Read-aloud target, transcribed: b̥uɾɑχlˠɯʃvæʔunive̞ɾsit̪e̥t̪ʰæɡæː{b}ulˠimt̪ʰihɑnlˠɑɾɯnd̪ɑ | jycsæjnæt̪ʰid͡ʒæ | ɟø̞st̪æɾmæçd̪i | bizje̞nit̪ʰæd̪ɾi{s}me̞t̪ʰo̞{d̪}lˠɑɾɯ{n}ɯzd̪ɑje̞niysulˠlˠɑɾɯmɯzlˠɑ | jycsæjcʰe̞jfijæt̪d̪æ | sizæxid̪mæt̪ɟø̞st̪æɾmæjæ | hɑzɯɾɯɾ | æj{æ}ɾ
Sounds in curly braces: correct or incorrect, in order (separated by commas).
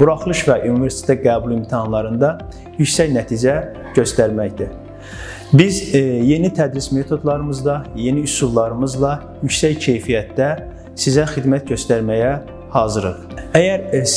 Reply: correct, correct, correct, incorrect, correct